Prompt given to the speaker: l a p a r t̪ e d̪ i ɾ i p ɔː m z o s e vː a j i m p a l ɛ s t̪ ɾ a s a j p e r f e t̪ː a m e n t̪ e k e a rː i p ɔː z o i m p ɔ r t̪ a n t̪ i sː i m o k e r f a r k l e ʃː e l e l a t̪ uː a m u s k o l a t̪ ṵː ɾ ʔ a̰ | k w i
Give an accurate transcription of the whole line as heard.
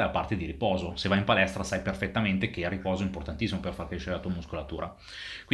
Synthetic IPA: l a p a r t̪ e d̪ i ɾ i p ɔː z o s e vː a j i m p a l ɛ s t̪ ɾ a s a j p e r f e t̪ː a m e n t̪ e k e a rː i p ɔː z o i m p o r t̪ a n t̪ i sː i m o p e r f a r k ɾ e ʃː e ɾ e l a t̪ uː a m u s k o l a t̪ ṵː ɾ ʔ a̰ | k w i